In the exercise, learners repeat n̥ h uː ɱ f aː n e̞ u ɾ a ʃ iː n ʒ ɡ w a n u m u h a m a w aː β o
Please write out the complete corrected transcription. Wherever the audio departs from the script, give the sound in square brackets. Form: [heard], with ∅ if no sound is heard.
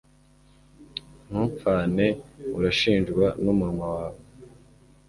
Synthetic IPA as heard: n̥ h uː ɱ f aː n e̞ u ɾ a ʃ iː n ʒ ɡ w a n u m u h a m a w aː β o